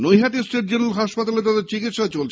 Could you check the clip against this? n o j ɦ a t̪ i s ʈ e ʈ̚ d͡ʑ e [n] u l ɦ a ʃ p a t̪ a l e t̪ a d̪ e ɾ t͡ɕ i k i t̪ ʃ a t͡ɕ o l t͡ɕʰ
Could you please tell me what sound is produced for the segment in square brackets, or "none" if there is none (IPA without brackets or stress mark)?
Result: n